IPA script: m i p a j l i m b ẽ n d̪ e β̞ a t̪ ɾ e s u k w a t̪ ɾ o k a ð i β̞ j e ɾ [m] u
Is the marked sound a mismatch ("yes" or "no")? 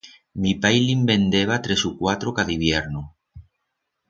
yes